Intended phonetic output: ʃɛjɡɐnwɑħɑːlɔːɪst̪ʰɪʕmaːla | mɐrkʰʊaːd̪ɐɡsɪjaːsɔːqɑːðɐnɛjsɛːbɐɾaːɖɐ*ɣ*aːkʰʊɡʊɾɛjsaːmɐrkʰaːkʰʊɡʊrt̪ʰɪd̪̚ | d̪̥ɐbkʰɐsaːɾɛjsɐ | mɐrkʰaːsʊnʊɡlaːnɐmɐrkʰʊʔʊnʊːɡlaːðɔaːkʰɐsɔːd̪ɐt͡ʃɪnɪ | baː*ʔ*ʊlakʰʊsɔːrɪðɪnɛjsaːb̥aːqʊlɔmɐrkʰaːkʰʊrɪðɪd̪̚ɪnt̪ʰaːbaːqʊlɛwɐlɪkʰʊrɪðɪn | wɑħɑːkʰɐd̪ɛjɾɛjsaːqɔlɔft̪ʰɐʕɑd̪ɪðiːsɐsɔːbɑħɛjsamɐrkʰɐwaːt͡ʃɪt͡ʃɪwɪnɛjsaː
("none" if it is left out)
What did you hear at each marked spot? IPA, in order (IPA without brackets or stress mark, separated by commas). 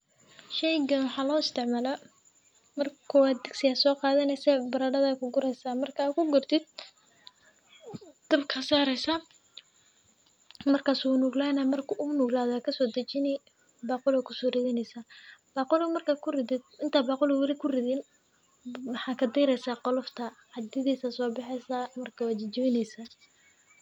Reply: ð, q